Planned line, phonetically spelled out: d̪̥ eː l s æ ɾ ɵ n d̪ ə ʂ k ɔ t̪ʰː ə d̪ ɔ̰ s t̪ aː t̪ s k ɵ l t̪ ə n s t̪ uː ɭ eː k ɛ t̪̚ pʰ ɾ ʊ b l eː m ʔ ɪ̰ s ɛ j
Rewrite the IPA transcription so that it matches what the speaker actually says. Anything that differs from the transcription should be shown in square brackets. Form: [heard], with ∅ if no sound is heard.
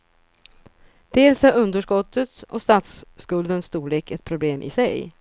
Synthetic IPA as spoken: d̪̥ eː l s æ ɾ ɵ n d̪ ə ʂ k ɔ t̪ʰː ə [t̪] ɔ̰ s t̪ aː t̪ s k ɵ l [d̪] ə n s t̪ uː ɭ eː k ɛ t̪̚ pʰ ɾ ʊ b l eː m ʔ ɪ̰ s ɛ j